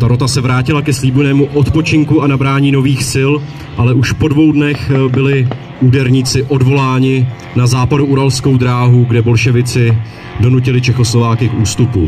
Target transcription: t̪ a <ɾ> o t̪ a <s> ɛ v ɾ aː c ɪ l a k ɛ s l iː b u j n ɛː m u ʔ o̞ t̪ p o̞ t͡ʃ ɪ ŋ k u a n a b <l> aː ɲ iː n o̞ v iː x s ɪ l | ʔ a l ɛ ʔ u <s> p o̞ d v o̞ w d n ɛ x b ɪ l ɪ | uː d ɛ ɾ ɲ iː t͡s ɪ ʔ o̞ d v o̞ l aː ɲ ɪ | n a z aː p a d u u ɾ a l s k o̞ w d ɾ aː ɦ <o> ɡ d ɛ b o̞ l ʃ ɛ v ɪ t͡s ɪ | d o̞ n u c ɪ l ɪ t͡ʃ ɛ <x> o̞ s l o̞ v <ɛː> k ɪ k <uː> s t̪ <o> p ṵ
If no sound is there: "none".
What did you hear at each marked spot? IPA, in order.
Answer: ɾ, s, ɾ, ʃ, u, x, aː, uː, u

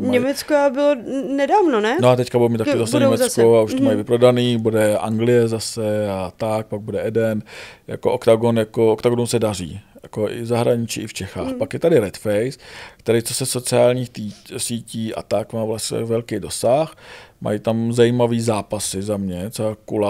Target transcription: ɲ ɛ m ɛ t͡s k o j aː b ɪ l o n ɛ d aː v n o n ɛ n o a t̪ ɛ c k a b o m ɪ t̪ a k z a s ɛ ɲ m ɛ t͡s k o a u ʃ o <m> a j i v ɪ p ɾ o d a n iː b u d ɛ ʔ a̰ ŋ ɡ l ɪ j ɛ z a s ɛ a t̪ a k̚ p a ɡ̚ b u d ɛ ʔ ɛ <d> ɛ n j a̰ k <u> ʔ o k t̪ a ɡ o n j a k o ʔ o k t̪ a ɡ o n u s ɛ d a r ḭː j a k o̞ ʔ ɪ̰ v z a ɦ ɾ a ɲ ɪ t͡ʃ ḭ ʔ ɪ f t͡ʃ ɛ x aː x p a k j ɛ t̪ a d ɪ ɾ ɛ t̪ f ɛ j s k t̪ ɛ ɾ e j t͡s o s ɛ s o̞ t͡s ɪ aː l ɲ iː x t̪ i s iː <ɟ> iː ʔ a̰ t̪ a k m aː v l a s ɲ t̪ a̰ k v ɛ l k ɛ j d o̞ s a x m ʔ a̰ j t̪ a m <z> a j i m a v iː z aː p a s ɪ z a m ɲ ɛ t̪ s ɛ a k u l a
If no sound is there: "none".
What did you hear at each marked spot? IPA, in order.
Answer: m, d, o, c, z

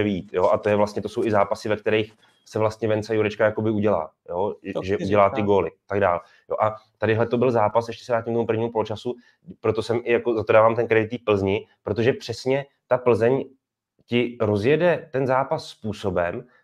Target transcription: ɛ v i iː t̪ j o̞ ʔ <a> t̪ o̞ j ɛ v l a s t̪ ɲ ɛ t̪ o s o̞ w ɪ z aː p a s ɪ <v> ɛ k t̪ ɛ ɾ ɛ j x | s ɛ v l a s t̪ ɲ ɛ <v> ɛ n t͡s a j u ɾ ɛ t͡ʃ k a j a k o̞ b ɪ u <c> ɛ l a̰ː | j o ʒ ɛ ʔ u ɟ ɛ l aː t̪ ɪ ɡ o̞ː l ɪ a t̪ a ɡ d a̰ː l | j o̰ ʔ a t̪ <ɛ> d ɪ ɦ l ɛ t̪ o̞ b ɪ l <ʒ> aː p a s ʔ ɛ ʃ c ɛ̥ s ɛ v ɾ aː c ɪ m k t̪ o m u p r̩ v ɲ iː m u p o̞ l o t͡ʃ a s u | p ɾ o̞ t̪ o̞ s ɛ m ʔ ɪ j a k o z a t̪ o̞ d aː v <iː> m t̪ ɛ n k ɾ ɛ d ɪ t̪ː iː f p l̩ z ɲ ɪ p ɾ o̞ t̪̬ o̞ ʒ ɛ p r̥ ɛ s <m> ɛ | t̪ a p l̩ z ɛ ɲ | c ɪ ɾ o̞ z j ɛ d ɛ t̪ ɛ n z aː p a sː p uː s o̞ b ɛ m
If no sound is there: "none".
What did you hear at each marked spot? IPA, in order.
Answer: a, v, v, ɟ, a, z, aː, ɲ

